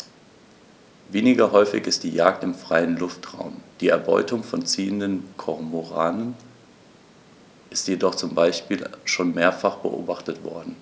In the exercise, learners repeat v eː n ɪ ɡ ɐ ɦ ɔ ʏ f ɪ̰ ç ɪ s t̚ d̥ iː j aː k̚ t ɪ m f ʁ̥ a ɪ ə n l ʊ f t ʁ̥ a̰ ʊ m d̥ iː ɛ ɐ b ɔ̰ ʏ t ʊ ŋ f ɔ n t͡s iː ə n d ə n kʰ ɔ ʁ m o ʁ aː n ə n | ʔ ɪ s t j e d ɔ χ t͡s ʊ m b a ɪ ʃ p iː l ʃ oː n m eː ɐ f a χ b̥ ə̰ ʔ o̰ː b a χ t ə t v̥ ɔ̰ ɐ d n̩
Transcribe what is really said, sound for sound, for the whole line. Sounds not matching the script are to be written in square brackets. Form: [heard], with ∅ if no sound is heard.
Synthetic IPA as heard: v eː n ɪ ɡ ɐ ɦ ɔ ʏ f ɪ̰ ç ɪ s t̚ d̥ iː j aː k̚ t ɪ m f ʁ̥ a ɪ ə n l ʊ f t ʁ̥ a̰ ʊ m d̥ iː ɛ ɐ b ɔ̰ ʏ t ʊ ŋ f ɔ n t͡s iː ə n d ə n kʰ ɔ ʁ m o ʁ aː n ə n | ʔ ɪ s t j e d ɔ χ t͡s ʊ m b a ɪ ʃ p iː l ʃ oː n m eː ɐ f a χ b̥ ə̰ ʔ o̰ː b a χ t ə t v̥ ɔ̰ ɐ d n̩